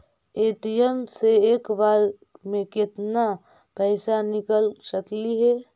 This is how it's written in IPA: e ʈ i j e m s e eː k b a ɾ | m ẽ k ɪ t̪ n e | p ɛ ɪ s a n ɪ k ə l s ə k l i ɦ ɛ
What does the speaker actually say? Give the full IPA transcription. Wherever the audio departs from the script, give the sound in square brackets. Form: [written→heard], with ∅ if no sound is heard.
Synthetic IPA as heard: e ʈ i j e m s e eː k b a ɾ | m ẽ k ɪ t̪ n [e→a] | p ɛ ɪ s a n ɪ k ə l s ə k l i ɦ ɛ